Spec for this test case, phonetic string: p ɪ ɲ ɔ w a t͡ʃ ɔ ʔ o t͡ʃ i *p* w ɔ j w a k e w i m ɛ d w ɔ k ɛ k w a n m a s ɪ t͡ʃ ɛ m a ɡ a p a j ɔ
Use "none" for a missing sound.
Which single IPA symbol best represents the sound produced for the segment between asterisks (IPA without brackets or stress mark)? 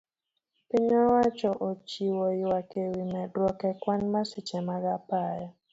none